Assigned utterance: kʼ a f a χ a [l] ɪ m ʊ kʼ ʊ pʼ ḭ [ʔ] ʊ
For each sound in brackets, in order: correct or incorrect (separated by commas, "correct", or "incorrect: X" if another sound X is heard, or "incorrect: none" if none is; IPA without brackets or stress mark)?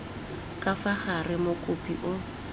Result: incorrect: r, correct